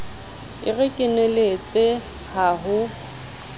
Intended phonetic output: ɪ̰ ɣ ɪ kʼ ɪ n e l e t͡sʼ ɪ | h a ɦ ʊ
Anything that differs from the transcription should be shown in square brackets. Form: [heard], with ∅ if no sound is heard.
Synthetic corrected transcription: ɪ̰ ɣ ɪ kʼ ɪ n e l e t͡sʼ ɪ | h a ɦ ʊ